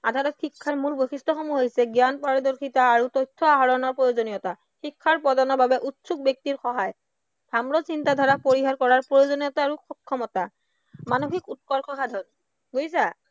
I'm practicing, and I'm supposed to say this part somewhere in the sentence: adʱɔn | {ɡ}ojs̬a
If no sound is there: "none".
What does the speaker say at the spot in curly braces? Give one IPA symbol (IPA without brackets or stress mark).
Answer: ɡ